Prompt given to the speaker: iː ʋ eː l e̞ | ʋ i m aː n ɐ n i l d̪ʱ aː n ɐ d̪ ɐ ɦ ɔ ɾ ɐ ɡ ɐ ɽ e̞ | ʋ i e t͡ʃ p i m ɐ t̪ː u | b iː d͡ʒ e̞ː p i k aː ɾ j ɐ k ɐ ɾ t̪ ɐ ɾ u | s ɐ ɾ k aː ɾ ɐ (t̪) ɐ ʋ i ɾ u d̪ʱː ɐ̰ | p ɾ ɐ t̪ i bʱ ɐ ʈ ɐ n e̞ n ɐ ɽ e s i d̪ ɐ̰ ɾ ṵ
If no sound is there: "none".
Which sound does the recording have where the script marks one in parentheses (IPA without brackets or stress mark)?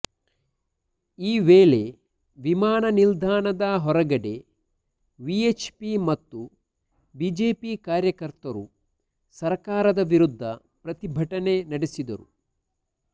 d̪